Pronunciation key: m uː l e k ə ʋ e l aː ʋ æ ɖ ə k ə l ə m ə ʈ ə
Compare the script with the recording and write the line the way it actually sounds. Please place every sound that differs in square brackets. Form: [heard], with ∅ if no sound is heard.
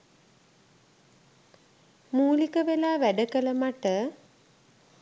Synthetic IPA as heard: m uː l [i] k ə ʋ e l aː ʋ æ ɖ ə k ə l ə m [a] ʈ ə